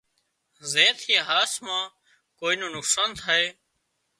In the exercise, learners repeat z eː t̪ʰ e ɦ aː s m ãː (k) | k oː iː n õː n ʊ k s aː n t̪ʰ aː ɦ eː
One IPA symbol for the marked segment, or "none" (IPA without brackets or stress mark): none